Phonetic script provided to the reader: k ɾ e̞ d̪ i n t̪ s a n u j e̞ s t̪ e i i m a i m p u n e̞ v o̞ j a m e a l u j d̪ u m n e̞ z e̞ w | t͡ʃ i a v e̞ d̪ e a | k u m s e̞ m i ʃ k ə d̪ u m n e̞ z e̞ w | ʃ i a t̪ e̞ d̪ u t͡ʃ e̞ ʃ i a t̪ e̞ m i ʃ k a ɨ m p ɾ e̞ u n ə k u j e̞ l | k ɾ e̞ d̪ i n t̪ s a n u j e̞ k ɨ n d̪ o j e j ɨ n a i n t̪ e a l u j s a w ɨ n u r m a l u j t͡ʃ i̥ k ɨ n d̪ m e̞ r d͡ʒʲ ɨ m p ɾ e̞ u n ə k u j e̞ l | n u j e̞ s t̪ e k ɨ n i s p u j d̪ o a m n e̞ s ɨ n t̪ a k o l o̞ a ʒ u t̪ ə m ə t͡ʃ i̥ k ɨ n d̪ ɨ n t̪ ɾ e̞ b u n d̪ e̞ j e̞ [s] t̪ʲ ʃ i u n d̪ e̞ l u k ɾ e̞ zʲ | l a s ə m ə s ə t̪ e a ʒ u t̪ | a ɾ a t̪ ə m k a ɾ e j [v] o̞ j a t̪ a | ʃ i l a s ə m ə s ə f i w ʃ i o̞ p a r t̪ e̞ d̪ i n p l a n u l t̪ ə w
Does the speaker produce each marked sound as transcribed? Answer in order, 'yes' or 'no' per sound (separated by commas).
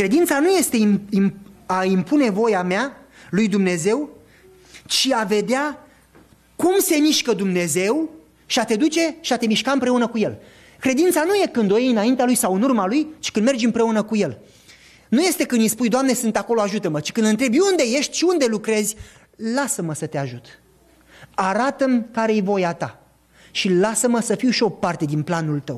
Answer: no, yes